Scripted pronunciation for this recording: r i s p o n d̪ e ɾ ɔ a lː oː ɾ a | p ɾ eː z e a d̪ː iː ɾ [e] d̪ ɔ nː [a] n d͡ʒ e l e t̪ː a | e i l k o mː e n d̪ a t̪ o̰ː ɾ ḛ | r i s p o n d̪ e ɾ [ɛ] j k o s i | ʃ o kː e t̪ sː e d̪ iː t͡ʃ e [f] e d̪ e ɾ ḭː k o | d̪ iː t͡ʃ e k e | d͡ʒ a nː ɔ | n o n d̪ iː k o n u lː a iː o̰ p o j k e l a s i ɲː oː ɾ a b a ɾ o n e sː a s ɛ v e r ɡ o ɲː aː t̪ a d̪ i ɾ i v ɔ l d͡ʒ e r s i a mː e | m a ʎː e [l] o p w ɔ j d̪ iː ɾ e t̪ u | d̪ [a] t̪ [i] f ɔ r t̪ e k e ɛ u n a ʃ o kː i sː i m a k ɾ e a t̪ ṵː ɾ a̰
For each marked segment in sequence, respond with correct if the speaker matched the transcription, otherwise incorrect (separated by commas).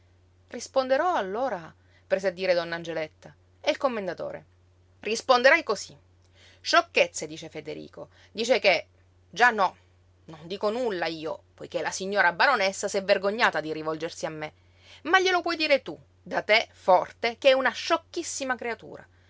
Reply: correct, correct, incorrect, correct, correct, correct, incorrect